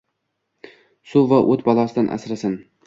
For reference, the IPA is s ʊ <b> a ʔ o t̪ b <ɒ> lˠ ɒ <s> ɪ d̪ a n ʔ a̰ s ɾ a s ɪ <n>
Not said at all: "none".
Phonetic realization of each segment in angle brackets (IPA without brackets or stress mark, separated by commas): v, ɒ, s, n